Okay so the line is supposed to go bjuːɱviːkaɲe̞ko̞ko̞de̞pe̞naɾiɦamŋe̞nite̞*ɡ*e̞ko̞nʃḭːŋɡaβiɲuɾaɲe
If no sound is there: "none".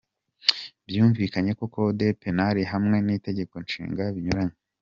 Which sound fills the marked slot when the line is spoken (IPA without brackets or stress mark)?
ɟ